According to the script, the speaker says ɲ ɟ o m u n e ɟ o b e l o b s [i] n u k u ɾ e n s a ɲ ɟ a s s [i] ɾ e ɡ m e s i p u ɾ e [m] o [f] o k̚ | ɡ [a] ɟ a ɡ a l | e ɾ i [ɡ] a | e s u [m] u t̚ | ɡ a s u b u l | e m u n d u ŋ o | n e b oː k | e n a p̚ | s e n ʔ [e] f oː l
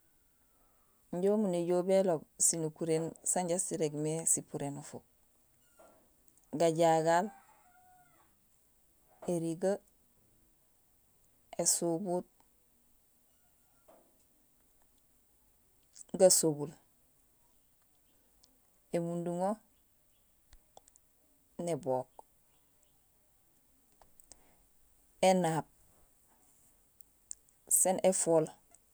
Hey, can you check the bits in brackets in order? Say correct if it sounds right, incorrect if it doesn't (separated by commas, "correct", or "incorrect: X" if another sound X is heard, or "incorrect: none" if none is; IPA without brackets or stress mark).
correct, correct, incorrect: n, correct, correct, correct, incorrect: b, correct